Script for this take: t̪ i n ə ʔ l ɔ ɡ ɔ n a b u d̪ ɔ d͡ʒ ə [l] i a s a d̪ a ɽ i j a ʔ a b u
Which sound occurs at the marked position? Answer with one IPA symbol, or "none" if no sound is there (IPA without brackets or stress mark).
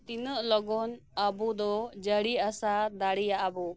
ɽ